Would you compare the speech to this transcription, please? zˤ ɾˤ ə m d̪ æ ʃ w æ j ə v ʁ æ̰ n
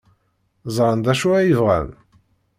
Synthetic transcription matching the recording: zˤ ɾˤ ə n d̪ æ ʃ u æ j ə v ʁ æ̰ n